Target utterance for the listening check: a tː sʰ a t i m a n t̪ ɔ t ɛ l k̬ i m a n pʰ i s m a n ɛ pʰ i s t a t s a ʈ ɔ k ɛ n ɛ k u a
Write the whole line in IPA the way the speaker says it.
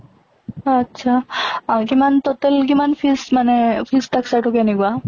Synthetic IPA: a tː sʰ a k i m a n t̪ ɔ t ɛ l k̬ i m a n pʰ i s m a n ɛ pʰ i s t a k s a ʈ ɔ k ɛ n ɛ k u a